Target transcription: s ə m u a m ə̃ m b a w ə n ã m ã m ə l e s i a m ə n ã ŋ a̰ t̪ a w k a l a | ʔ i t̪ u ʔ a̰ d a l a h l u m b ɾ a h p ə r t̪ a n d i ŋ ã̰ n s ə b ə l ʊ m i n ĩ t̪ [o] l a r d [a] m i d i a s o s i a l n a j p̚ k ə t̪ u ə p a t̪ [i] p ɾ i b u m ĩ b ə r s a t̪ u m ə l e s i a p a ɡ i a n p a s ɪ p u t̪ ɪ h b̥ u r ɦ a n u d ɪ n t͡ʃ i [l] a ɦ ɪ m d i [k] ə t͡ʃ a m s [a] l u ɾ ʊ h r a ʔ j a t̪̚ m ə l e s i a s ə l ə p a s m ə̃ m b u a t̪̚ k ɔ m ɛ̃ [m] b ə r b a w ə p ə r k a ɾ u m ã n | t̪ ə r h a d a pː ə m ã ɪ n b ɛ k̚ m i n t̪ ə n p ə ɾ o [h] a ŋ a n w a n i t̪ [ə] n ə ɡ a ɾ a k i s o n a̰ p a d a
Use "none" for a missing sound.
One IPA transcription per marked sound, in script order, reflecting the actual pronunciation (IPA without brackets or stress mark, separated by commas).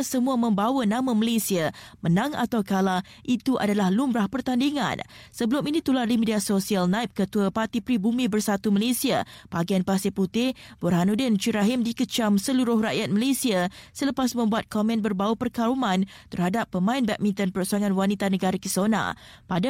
u, i, i, ɾ, k, ə, n, s, a